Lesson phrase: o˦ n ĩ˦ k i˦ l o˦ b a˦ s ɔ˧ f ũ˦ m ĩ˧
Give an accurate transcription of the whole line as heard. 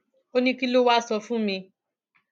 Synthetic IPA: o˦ n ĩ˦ k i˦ l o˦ w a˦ s ɔ˧ f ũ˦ m ĩ˧